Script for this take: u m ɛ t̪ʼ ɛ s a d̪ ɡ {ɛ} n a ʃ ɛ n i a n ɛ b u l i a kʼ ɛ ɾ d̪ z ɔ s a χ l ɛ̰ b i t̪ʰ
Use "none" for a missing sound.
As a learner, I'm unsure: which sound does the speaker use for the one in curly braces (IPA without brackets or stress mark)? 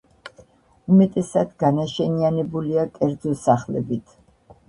a